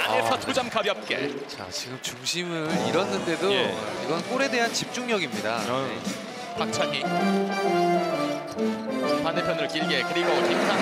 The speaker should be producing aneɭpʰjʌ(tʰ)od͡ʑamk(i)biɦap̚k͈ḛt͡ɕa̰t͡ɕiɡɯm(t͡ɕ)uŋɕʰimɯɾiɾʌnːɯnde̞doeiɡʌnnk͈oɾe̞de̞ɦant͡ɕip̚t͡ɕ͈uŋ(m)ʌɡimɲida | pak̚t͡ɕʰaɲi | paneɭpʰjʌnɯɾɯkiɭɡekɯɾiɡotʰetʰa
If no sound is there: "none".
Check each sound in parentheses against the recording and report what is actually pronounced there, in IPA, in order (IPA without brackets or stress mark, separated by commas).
tʰ, a, t͡ɕ, ɲ